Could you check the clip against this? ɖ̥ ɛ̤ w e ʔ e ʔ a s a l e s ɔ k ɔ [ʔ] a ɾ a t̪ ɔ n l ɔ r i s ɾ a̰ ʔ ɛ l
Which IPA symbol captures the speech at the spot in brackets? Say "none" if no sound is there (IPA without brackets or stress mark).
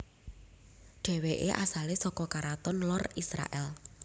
k